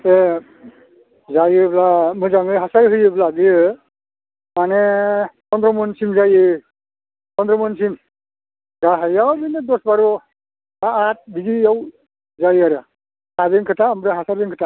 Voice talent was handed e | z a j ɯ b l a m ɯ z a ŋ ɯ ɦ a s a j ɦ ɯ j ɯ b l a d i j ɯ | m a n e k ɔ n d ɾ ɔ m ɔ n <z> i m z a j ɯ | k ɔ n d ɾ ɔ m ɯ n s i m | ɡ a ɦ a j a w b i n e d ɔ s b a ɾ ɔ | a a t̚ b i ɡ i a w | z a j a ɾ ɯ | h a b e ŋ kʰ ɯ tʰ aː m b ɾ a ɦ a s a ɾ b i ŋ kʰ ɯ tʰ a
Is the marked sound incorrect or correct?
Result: incorrect